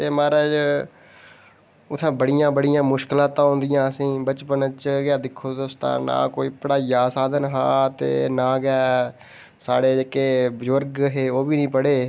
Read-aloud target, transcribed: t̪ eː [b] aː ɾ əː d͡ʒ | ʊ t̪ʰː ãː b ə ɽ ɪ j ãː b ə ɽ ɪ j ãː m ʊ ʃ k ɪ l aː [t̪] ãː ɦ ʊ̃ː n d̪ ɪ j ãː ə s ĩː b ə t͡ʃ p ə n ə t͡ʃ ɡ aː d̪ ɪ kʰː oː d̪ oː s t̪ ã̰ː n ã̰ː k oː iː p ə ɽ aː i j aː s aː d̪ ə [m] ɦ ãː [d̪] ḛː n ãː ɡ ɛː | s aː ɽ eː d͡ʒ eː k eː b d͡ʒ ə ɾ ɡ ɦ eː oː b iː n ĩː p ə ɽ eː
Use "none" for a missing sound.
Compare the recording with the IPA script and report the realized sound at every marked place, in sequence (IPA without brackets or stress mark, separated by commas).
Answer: m, t̪, n, t̪